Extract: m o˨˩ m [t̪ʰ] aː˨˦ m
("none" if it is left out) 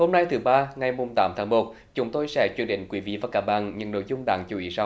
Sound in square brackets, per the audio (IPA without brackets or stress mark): t̪